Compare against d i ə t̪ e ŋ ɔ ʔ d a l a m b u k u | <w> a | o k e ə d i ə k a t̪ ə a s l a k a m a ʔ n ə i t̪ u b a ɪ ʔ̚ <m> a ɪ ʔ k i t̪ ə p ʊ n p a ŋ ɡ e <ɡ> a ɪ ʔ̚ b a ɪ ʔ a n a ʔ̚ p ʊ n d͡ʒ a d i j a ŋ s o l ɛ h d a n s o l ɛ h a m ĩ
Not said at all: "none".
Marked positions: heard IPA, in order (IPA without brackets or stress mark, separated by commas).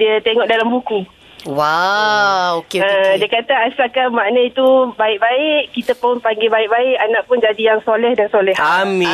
w, b, b